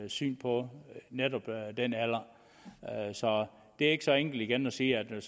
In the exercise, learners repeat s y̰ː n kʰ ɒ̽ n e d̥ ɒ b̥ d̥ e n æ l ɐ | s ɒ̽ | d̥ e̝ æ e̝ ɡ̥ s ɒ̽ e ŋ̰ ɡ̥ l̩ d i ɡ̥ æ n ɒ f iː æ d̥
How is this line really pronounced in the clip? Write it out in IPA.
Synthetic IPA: s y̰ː n pʰ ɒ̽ n e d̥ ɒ b̥ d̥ e n æ l ɐ | s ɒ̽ | d̥ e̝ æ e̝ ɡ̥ s ɒ̽ e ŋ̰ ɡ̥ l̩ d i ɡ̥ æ n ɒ s iː æ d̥